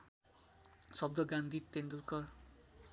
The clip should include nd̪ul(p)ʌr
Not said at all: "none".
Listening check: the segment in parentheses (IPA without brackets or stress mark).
k